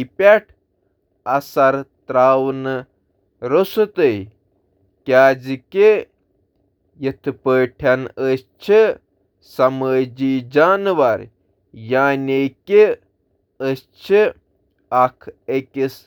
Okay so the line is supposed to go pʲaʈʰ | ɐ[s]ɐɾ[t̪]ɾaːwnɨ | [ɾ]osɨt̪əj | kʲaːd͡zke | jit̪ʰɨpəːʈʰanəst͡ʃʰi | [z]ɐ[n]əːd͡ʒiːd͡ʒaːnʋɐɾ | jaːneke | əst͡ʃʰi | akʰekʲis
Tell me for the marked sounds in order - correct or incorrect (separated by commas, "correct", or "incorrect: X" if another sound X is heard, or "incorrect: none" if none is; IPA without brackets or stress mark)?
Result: correct, correct, correct, incorrect: s, incorrect: m